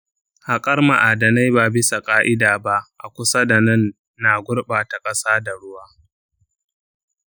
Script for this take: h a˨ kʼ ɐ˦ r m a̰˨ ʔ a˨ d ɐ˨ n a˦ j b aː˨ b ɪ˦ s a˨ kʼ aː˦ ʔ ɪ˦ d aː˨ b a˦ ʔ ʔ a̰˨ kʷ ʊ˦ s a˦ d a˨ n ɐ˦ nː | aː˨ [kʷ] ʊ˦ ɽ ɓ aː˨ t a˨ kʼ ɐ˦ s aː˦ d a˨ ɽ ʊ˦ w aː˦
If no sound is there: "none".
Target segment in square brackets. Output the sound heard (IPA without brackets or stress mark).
ɡʷ